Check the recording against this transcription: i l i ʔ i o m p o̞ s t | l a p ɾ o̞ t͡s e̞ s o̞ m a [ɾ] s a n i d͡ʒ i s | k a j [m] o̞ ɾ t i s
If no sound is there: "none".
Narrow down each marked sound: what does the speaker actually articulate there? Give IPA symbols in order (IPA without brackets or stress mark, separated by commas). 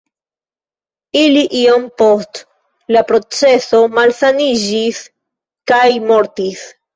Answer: l, m